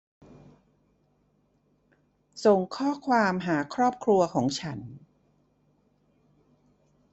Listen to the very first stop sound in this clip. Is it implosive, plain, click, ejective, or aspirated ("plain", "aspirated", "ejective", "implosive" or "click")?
aspirated